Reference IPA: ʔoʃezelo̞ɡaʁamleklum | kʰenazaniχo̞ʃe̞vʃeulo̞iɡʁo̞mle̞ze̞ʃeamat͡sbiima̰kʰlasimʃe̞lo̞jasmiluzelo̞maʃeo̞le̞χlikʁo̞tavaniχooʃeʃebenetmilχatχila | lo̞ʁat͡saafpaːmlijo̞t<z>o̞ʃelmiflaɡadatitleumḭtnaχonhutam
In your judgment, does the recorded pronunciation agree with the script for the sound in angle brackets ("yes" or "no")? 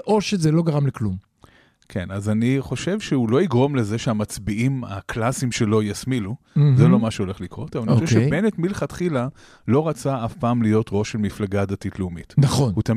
no